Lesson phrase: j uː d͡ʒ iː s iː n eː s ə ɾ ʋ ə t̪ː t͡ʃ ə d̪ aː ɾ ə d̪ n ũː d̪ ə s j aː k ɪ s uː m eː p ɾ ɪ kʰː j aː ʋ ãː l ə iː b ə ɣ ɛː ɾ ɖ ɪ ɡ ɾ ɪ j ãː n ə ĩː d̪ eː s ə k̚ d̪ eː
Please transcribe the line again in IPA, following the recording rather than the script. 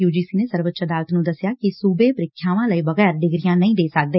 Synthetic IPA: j uː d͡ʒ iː s iː n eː s ə ɾ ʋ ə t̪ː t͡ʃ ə d̪ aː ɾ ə t̪ n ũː d̪ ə s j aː k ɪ s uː b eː p ɾ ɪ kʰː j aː ʋ ãː l ə iː b ə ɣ ɛː ɾ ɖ ɪ ɡ ɾ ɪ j ãː n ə ĩː d̪ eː s ə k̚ d̪ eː